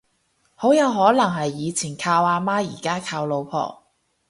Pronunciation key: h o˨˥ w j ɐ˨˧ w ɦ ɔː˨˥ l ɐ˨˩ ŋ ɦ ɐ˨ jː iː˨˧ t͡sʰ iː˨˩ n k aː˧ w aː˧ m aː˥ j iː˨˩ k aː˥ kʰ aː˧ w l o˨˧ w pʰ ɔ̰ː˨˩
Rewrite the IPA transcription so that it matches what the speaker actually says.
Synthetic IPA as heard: h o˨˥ w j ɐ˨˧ w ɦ ɔː˨˥ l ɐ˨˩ ŋ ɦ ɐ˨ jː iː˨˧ t͡sʰ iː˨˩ n kʰ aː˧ w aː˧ m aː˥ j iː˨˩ k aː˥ kʰ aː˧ w l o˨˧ w pʰ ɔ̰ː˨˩

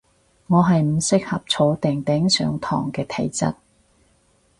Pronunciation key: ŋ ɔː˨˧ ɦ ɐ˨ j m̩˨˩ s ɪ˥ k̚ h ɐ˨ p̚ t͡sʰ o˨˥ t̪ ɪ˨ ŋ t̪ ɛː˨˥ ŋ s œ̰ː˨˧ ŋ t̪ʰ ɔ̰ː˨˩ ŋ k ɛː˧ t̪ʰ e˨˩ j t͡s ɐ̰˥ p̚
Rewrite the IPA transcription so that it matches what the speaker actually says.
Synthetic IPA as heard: ŋ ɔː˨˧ ɦ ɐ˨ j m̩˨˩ s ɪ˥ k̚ h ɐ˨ p̚ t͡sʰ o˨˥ t̪ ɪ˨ ŋ t̪ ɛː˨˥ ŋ s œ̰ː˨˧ ŋ t̪ʰ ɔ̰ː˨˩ ŋ k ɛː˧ t̪ʰ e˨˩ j t͡s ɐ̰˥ t̚

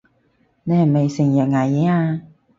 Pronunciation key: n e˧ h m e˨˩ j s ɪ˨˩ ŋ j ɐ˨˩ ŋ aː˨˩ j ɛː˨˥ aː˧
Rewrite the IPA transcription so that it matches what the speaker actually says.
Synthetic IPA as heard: n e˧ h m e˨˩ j s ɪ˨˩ ŋ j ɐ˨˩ ŋ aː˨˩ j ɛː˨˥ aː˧

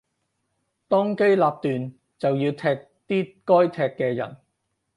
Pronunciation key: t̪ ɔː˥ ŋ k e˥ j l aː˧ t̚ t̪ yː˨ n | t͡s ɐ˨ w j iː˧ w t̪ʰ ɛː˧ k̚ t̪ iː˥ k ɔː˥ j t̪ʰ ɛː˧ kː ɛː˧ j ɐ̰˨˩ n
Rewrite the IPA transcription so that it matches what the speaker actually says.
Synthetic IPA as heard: t̪ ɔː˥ ŋ k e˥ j l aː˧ p̚ t̪ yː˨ n | t͡s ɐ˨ w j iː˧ w t̪ʰ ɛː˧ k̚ t̪ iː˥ k ɔː˥ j t̪ʰ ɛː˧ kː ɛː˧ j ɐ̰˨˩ n

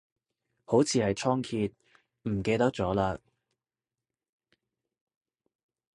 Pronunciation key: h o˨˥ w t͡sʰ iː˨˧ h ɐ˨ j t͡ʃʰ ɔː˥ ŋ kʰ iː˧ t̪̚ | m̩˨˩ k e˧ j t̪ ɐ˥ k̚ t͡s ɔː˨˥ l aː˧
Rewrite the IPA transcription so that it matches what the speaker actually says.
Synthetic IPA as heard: h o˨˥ w t͡sʰ iː˨˧ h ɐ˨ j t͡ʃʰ ɔː˥ ŋ kʰ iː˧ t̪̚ | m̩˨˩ k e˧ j t̪ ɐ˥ k̚ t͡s ɔː˨˥ l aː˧

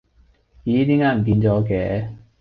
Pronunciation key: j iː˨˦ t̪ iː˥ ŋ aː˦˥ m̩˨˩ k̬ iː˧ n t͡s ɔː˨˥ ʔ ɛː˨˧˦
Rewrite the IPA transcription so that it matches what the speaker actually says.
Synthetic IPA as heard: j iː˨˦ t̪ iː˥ ŋ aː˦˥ m̩˨˩ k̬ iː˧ n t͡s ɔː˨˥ k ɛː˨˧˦

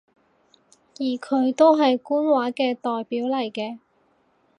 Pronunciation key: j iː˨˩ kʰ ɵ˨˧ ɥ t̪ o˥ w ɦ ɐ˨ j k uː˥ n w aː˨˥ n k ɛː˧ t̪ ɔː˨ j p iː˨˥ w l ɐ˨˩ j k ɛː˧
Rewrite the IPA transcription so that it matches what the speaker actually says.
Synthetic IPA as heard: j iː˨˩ kʰ ɵ˨˧ ɥ t̪ o˥ w ɦ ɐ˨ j k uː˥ n w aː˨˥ k ɛː˧ t̪ ɔː˨ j p iː˨˥ w l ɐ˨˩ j k ɛː˧

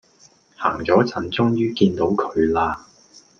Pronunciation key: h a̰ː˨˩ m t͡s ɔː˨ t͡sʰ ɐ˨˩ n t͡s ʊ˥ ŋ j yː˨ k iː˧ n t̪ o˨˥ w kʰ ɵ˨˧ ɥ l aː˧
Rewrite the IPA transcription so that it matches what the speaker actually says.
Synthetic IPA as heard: h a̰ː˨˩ ŋ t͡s ɔː˨˥ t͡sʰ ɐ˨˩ n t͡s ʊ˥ ŋ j yː˥ k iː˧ n t̪ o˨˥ w kʰ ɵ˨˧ ɥ l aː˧

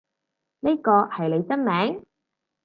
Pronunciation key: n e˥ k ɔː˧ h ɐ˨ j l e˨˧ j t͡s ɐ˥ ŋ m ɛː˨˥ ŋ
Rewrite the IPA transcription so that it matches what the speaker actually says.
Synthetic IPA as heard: n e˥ k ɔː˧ h ɐ˨ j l e˨˧ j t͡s ɐ˥ n m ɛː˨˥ ŋ

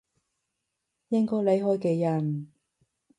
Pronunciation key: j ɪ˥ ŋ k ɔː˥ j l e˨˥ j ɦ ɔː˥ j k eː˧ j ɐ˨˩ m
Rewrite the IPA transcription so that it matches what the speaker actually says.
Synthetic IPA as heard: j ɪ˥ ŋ k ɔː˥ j l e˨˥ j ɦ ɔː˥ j k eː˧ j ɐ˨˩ n

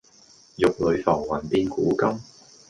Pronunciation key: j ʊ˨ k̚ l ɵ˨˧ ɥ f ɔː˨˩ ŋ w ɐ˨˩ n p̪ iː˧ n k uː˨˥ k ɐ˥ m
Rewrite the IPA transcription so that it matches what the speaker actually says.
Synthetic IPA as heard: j ʊ˨ k̚ l ɵ˨˧ ɥ f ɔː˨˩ ŋ w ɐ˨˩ n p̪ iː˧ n k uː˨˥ k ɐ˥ m

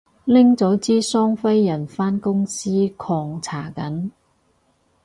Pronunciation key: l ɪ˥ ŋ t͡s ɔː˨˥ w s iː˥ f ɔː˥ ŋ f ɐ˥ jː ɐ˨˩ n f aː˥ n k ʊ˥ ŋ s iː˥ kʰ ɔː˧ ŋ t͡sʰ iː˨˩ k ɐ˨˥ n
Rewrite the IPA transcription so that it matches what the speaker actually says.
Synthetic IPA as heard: l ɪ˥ ŋ t͡s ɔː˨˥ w t͡s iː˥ s ɔː˥ ŋ f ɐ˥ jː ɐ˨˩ n f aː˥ n k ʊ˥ ŋ s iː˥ kʰ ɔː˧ ŋ t͡sʰ aː˨˩ k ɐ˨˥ n

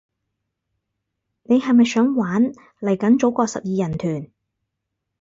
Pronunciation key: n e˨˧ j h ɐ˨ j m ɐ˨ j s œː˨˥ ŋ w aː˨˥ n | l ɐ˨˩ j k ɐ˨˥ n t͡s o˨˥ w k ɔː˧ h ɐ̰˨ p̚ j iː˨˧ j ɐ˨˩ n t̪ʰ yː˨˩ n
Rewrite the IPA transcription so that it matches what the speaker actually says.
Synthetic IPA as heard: n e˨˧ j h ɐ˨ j m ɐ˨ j s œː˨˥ ŋ w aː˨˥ n | l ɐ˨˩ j k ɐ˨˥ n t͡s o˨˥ w k ɔː˧ s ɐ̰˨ p̚ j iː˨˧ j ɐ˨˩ n t̪ʰ yː˨˩ n

